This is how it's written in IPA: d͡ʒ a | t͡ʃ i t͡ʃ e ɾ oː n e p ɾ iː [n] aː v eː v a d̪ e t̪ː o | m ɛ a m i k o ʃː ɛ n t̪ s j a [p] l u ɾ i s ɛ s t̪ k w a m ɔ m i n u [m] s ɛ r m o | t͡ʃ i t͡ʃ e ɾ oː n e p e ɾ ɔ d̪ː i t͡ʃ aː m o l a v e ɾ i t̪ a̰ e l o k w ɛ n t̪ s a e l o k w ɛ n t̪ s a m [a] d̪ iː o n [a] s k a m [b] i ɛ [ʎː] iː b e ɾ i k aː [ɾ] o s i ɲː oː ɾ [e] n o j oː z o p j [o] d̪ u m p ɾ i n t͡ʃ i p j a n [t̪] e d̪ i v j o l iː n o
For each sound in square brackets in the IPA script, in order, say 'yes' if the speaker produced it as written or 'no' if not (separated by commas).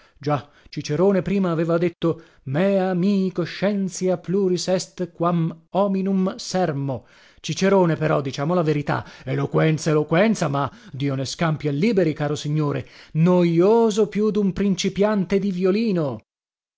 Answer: no, yes, yes, yes, no, no, no, yes, yes, no, yes